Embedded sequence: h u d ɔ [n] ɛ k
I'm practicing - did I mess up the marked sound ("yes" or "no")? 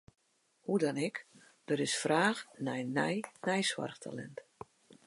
no